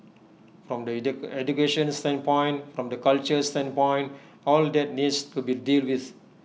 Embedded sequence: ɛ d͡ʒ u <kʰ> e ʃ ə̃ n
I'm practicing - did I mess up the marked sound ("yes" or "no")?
yes